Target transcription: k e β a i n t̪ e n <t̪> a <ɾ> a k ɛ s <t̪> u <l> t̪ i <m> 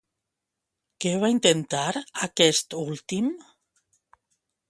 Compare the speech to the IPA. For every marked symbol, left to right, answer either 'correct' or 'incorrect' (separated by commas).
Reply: correct, correct, correct, correct, correct